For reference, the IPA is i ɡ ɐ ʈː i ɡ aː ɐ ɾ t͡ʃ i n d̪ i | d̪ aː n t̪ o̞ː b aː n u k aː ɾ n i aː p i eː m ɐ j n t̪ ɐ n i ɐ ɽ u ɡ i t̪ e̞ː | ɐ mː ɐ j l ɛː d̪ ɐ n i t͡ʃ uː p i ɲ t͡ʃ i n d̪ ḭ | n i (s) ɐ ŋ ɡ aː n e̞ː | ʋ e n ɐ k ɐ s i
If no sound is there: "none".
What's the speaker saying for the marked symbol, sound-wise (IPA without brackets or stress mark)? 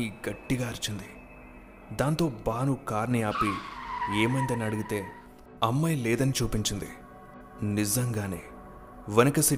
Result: z